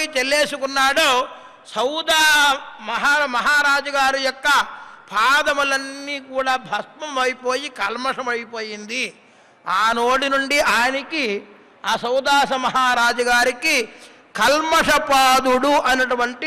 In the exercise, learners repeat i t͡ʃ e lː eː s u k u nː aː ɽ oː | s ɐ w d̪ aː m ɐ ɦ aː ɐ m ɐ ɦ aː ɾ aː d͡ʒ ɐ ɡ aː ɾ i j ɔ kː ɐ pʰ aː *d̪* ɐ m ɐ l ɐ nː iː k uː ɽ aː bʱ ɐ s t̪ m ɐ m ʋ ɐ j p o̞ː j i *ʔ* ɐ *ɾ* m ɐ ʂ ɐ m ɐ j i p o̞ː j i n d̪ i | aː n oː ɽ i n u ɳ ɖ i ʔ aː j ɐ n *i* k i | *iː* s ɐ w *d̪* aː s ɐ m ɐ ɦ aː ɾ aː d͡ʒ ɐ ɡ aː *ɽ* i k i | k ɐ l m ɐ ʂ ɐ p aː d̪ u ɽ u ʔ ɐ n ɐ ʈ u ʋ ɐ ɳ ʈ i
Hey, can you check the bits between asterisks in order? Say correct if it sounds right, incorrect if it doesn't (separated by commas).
correct, incorrect, incorrect, correct, incorrect, correct, incorrect